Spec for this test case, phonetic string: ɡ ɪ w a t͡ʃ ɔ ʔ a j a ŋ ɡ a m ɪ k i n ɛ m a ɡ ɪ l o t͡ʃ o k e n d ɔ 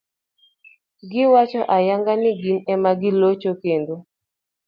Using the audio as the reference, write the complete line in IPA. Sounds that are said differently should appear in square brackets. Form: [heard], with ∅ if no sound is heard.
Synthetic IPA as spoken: ɡ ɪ w a t͡ʃ ɔ ʔ a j a ŋ ɡ a [n] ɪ [ɡ] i n ɛ m a ɡ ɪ l o t͡ʃ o k e n d [o]

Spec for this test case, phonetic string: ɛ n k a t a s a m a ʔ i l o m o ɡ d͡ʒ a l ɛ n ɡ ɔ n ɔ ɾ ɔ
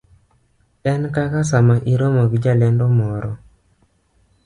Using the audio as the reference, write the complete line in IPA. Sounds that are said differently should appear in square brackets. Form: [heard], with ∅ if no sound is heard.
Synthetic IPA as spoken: ɛ n k a [k] a s a m a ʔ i [ɾ] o m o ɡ d͡ʒ a l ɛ n [d] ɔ [m] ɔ ɾ ɔ

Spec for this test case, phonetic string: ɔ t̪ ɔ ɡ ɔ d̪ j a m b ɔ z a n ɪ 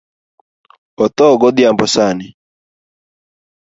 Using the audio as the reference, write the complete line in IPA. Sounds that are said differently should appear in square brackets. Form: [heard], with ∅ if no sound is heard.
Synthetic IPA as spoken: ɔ t̪ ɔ ɡ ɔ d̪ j a m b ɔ [s] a n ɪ

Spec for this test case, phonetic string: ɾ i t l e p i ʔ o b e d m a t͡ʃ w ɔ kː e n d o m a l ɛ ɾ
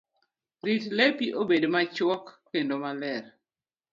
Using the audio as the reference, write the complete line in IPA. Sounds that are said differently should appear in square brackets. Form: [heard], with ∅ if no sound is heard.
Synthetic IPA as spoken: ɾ i t l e p i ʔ o b e d m a t͡ʃ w ɔ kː e n d o m a l ɛ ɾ

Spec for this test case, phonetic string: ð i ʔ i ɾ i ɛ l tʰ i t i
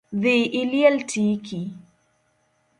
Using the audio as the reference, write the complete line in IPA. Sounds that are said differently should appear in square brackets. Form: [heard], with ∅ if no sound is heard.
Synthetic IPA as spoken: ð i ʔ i [l] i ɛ l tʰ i [k] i

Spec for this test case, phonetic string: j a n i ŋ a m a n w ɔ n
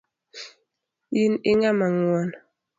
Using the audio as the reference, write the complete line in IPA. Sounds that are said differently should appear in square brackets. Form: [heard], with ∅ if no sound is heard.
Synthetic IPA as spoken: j [i] n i ŋ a m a [ŋ] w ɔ n

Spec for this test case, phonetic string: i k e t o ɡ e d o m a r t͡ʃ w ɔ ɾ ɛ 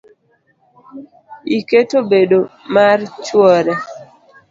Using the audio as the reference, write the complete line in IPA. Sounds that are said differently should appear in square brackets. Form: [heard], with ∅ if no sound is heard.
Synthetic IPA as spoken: i k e t o [b] e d o m a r t͡ʃ w ɔ ɾ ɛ

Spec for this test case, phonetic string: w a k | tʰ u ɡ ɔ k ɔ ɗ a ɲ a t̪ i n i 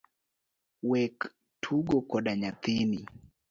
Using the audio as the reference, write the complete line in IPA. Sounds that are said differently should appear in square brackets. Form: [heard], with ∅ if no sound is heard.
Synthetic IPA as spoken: w [ɛ] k | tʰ u ɡ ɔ k ɔ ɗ a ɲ a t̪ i n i

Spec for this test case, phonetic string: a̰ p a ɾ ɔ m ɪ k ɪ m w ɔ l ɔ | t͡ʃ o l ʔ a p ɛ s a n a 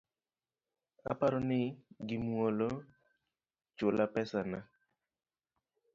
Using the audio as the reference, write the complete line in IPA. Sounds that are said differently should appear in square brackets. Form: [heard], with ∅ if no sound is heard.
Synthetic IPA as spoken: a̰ p a ɾ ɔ [n] ɪ [ɡ] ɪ m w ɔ l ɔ | t͡ʃ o l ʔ a p ɛ s a n a

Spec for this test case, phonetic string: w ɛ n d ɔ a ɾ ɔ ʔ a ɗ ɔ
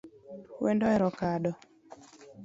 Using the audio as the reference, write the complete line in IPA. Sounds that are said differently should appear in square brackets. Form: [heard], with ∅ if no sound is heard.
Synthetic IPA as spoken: w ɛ n d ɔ [ɛ] ɾ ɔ [k] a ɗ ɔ

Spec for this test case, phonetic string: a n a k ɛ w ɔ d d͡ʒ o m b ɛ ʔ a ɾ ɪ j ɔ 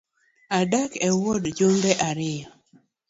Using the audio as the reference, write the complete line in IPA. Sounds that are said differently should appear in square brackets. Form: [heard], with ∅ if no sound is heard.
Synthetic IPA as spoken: a [d] a k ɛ w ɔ d d͡ʒ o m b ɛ ʔ a ɾ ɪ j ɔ

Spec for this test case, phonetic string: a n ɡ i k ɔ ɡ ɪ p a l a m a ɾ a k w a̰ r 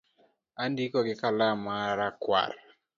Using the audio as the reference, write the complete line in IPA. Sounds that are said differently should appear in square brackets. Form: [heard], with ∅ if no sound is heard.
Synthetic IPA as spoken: a n [d] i k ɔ ɡ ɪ [k] a l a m a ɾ a k w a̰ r

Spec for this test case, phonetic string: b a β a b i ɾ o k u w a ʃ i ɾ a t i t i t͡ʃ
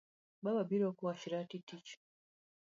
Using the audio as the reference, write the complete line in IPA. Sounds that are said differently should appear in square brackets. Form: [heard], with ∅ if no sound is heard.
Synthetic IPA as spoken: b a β a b i ɾ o k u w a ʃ i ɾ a t i t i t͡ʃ

